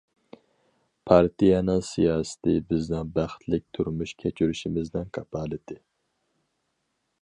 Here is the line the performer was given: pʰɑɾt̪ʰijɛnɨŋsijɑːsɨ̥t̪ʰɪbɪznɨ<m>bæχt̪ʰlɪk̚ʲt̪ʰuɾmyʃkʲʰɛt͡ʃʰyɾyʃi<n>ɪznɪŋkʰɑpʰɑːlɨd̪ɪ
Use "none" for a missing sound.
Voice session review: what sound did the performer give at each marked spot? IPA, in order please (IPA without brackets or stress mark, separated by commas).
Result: ŋ, m